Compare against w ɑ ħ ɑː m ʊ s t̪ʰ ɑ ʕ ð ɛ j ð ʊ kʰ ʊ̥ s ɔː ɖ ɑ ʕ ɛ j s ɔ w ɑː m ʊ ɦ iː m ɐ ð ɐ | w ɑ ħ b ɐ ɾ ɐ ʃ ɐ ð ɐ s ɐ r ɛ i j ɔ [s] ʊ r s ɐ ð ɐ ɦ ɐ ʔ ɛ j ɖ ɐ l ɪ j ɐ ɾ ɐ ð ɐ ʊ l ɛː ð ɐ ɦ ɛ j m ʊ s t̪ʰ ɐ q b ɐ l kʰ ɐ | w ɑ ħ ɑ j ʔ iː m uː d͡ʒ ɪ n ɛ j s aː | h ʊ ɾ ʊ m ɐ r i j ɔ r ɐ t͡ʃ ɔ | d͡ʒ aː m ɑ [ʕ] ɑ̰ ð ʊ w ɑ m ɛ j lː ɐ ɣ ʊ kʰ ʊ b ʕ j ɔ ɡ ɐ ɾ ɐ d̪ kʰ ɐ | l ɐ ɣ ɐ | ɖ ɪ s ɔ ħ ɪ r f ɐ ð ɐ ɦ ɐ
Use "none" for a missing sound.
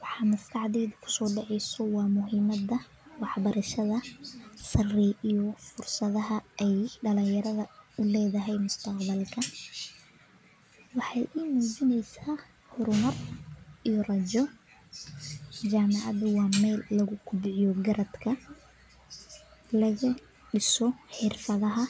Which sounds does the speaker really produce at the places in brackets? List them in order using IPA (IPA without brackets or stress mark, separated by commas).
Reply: f, ʕ